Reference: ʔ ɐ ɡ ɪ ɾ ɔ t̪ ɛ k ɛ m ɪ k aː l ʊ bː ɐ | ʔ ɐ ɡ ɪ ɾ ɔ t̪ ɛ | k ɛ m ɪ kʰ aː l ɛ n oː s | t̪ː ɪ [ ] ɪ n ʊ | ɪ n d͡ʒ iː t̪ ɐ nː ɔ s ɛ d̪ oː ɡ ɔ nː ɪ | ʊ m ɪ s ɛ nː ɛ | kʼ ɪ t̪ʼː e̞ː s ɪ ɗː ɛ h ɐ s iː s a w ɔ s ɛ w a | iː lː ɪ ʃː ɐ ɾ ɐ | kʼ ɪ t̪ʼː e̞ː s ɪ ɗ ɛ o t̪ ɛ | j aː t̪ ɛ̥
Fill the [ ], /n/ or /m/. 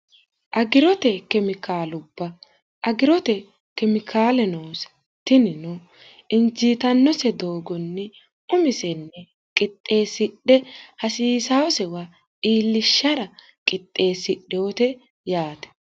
n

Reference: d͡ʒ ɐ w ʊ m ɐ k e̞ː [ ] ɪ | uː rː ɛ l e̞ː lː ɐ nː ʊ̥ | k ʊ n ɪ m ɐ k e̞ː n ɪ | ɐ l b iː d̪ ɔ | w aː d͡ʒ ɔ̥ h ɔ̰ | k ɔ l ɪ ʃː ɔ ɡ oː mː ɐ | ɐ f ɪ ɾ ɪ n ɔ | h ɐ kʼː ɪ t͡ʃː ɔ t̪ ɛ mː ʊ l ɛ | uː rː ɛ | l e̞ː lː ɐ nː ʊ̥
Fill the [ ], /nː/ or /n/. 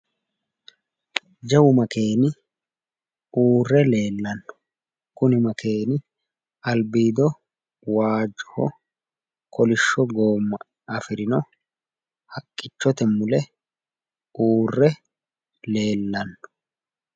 n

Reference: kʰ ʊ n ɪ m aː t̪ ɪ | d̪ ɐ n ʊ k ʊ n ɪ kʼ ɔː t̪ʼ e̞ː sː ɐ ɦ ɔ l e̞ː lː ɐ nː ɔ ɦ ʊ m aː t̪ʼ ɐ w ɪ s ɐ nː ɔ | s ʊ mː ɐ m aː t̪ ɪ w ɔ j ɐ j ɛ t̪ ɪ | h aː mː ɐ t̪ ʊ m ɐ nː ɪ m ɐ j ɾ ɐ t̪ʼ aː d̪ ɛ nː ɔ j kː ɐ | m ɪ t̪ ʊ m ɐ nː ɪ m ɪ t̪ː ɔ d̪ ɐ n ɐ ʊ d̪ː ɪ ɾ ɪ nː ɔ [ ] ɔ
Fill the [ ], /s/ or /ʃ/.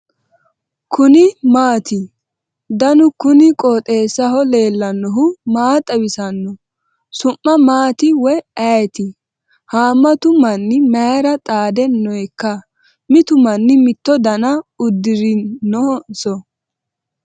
s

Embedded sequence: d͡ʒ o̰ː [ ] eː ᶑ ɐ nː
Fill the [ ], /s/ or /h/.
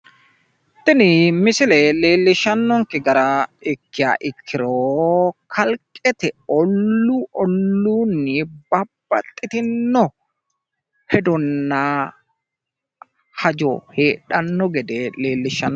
h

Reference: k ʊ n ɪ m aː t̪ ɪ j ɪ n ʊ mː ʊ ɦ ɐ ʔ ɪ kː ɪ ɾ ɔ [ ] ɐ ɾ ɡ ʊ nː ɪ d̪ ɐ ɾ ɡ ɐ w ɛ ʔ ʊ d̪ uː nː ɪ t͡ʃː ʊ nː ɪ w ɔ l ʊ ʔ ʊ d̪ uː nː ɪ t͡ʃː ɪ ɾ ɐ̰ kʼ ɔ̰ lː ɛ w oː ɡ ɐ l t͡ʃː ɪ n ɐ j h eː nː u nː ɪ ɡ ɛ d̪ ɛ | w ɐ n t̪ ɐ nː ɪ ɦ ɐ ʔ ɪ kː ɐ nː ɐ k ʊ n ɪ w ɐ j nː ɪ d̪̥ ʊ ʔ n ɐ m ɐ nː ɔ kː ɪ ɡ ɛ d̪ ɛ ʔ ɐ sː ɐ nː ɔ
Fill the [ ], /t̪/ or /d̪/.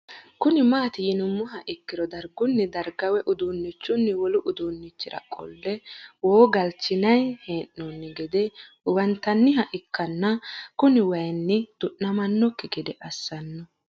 d̪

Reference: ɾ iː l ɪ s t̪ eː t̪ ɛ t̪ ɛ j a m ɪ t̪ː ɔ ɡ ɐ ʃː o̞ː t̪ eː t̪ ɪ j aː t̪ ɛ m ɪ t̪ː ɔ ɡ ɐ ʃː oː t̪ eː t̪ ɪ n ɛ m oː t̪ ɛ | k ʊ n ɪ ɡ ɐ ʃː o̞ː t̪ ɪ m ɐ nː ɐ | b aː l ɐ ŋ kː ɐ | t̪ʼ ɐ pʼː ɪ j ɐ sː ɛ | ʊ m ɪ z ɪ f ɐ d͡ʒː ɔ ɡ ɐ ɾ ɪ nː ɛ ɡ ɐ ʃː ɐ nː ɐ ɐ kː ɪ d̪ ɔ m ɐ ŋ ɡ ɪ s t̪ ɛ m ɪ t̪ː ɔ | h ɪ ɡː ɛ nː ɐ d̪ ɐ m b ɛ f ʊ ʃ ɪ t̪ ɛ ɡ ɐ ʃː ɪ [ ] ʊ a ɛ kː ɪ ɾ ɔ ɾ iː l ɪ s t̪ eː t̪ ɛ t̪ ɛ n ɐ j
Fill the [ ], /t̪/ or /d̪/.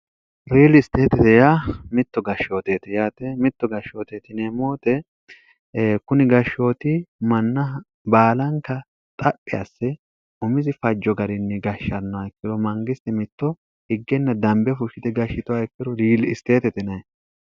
t̪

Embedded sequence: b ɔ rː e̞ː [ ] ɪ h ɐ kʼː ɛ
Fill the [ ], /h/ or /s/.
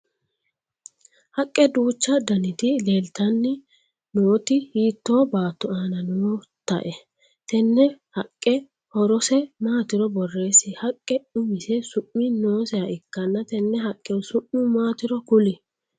s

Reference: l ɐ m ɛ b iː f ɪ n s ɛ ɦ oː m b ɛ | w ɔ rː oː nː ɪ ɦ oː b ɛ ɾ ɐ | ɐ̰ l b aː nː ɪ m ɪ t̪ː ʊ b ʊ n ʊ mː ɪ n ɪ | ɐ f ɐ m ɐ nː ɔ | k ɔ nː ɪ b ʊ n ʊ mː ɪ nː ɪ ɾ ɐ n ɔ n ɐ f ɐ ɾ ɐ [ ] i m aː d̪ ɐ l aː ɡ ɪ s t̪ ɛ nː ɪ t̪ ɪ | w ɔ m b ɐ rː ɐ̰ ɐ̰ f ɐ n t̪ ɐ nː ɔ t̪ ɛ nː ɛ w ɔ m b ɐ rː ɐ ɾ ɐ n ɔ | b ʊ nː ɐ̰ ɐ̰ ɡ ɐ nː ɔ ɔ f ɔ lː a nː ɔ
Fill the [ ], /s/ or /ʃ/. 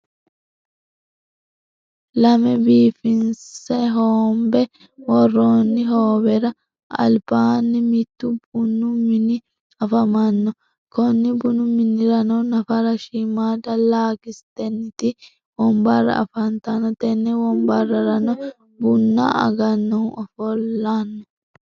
ʃ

